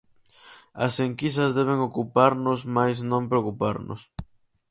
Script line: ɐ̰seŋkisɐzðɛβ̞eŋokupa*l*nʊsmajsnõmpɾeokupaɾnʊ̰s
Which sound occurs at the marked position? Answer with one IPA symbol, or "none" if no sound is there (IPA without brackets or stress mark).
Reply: ɾ